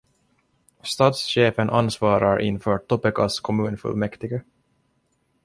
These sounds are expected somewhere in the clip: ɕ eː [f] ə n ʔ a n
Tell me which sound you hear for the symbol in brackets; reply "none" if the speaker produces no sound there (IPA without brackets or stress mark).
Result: f